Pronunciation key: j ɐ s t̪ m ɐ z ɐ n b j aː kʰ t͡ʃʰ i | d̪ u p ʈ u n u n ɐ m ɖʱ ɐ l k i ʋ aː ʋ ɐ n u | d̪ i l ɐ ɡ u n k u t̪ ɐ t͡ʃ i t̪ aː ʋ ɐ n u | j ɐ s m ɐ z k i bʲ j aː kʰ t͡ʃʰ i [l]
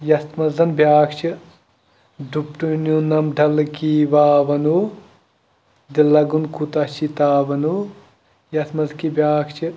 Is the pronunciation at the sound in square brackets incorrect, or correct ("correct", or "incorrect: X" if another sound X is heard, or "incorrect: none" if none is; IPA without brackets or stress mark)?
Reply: incorrect: none